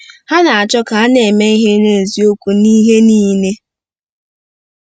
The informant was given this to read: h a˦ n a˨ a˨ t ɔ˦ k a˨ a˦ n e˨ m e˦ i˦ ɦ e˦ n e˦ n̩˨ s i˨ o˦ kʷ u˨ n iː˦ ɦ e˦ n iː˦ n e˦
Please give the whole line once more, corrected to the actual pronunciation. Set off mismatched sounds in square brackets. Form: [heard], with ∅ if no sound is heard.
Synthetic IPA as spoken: h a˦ n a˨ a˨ [t͡ʃ] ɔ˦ k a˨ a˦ n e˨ m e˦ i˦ ɦ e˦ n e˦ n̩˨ [z] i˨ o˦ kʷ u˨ n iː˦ ɦ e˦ n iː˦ n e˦